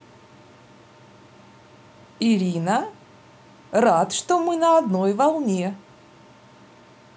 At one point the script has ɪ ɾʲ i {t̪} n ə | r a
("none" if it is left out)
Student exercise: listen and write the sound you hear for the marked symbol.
none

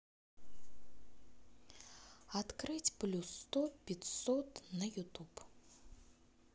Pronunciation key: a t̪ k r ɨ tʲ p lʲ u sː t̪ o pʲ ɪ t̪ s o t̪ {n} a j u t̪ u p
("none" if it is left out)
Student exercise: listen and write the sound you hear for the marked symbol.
n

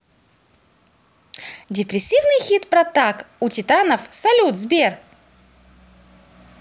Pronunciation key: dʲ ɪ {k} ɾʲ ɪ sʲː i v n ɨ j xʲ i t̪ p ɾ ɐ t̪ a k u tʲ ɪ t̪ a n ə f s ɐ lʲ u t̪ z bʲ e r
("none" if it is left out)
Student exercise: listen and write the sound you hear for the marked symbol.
p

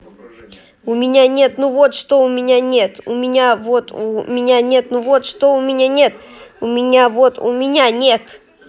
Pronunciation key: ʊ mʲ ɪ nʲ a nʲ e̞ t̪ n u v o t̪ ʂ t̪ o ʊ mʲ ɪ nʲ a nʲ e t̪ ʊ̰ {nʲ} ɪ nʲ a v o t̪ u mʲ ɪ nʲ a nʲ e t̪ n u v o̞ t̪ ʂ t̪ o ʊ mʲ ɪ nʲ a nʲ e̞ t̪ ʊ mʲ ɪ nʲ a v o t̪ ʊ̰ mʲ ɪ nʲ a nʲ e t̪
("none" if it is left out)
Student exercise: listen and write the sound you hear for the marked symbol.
mʲ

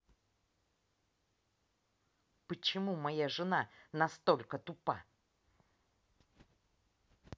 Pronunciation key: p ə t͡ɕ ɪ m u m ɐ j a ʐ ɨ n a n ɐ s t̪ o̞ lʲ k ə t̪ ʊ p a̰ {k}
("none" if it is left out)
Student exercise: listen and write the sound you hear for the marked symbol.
none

